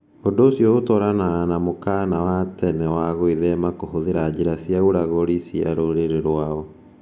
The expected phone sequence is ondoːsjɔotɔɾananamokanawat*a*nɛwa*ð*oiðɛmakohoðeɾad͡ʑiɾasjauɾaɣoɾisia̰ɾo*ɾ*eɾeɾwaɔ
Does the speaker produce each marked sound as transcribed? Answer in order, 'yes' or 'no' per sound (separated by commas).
no, no, yes